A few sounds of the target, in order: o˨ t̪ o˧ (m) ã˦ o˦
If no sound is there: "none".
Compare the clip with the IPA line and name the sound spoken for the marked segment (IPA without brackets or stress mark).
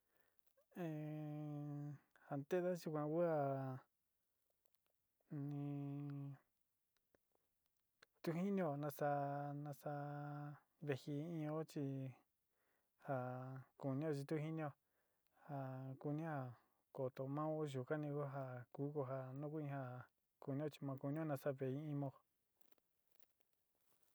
m